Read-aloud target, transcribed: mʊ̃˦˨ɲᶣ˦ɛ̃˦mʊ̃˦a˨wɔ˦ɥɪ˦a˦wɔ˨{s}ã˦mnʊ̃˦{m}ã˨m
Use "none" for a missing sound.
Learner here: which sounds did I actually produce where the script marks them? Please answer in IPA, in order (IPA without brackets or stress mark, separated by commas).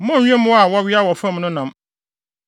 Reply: f, n